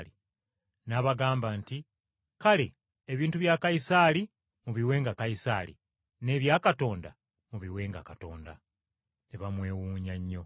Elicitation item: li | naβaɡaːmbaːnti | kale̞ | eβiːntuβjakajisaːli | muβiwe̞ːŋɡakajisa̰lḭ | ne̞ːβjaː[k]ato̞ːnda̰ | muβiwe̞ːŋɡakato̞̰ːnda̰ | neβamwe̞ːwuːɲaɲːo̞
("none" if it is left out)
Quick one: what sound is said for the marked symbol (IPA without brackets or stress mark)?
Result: k